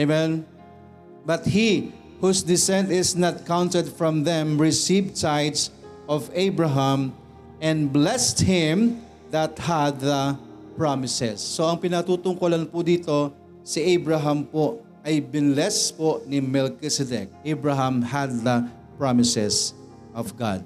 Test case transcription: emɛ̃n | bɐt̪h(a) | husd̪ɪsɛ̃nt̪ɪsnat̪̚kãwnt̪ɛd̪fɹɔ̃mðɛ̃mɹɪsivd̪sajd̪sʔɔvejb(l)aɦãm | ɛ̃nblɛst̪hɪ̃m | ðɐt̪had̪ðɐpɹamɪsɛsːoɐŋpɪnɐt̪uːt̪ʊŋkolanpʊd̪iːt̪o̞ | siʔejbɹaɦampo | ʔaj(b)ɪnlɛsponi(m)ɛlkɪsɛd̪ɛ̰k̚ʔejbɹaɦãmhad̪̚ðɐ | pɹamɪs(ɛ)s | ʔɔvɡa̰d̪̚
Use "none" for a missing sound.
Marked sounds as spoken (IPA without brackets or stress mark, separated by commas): i, ɹ, b, m, ɛ